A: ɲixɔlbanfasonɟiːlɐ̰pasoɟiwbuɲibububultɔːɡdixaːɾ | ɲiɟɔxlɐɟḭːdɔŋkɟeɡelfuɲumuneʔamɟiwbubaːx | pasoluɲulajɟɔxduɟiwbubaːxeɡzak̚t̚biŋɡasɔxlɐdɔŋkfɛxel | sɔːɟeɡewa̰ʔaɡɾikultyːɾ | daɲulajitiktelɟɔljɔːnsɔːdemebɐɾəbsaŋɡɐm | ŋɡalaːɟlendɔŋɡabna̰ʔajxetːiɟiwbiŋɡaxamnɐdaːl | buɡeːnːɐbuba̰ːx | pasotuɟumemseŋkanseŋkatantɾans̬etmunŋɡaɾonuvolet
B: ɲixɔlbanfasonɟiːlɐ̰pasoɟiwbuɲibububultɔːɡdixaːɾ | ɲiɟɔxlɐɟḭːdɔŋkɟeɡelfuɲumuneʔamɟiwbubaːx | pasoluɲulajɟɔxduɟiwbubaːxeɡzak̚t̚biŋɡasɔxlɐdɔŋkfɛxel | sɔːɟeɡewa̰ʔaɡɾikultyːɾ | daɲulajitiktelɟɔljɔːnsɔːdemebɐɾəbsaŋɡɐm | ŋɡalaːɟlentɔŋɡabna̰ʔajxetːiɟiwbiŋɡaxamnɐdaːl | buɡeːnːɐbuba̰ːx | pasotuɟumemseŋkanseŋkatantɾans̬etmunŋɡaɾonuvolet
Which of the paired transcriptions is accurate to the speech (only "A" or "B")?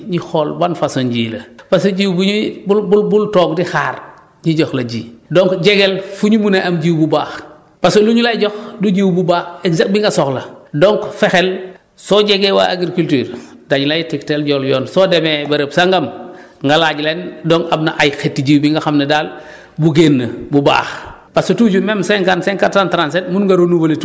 A